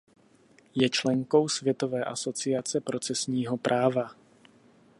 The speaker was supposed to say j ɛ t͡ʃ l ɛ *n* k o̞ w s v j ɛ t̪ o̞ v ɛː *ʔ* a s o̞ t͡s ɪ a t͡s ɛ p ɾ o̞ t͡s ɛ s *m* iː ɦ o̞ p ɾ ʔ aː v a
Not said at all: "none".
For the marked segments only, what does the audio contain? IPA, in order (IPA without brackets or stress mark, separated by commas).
ŋ, ʔ, ɲ